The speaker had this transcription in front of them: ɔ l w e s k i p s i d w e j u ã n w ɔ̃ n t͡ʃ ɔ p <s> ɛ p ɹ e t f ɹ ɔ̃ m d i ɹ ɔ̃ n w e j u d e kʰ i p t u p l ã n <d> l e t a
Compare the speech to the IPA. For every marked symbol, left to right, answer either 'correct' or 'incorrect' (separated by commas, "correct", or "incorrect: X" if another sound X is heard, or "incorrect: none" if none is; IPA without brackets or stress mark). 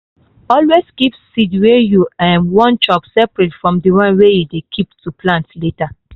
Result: correct, incorrect: t